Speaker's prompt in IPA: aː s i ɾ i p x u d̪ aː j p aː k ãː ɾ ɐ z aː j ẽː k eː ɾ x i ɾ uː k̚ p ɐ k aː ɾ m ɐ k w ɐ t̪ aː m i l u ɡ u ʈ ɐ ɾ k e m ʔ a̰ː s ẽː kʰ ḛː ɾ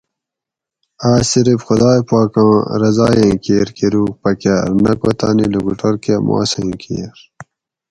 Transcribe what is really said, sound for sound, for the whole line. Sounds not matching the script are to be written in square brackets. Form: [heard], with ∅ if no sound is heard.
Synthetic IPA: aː s i ɾ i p x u d̪ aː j p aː k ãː ɾ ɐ z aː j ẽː k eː ɾ [k] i ɾ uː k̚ p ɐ k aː ɾ [n] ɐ k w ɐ t̪ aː [n] i l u ɡ u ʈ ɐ ɾ k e m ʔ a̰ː s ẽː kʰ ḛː ɾ